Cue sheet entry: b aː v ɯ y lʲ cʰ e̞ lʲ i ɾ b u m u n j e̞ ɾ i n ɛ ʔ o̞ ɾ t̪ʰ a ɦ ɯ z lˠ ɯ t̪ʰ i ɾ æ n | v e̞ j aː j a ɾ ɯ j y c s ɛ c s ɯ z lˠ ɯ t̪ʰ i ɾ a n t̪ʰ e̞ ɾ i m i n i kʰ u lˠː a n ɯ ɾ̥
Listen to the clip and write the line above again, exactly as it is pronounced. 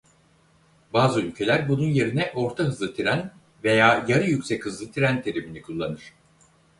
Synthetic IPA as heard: b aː z ɯ y lʲ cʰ e̞ lʲ æ ɾ b u n u n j e̞ ɾ i n ɛ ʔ o̞ ɾ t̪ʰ a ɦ ɯ z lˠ ɯ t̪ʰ i ɾ æ n | v e̞ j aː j a ɾ ɯ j y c s ɛ c h ɯ z lˠ ɯ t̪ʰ i ɾ æ n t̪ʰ e̞ ɾ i m i n i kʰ u lˠː a n ɯ ɾ̥